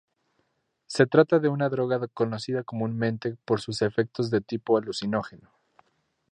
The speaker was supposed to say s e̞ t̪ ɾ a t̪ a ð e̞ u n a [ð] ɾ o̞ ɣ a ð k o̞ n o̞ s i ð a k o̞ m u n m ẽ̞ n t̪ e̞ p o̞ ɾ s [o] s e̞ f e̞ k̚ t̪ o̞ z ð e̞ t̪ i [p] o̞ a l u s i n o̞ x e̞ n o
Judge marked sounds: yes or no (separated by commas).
yes, no, yes